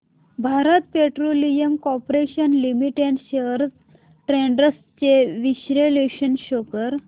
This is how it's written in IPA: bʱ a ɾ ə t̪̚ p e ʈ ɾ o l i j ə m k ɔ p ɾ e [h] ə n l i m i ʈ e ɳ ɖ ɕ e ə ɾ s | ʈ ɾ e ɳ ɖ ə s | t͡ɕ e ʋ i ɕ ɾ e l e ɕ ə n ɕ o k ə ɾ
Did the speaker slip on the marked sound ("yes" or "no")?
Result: yes